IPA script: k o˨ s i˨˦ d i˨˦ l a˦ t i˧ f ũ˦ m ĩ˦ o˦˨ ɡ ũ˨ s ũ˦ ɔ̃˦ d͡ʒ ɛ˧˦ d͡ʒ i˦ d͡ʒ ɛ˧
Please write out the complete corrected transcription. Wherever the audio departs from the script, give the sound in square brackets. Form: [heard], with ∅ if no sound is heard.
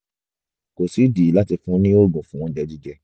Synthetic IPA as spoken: k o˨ s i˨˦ d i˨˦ l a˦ t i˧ f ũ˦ [n] ĩ˦ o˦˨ ɡ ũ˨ [f] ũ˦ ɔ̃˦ d͡ʒ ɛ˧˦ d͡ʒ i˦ d͡ʒ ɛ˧